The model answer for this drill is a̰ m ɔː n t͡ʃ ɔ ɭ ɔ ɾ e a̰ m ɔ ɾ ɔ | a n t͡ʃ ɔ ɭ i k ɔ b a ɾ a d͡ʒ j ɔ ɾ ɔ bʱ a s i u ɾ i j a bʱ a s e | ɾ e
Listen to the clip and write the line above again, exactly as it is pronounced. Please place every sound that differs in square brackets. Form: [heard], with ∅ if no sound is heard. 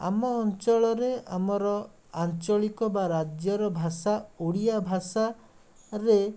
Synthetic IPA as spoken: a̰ m ɔː n t͡ʃ ɔ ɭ ɔ ɾ e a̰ m ɔ ɾ ɔ | a n t͡ʃ ɔ ɭ i k ɔ b a ɾ a d͡ʒ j ɔ ɾ ɔ bʱ a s [a] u [ɽ] i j a bʱ a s [a] | ɾ e